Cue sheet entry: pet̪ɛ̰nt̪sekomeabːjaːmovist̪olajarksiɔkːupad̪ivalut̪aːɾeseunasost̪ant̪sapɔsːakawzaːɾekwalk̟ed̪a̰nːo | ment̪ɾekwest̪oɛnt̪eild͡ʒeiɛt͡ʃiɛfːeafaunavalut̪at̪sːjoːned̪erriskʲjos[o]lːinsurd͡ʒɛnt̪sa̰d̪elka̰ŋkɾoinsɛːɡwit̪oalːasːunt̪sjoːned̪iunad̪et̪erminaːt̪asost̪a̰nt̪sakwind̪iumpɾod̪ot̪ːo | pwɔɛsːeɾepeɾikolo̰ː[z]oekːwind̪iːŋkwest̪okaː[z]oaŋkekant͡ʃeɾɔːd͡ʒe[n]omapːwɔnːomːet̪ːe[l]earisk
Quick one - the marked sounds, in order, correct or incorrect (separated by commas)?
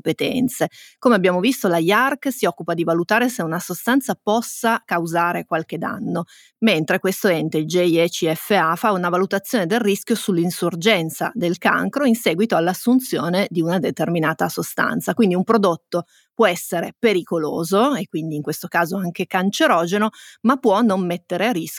incorrect, correct, correct, correct, incorrect